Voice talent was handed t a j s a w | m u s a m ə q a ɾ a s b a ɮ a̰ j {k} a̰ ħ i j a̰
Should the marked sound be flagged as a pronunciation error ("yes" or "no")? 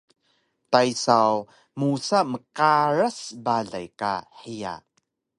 no